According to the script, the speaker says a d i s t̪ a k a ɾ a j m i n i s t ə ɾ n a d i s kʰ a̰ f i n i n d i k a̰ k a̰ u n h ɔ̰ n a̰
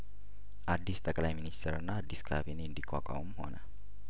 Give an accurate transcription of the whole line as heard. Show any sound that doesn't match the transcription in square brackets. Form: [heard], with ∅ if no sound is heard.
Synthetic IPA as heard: a d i s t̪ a k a [l] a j m i n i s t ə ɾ n a d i s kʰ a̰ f i n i n d i k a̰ k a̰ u [m] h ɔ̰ n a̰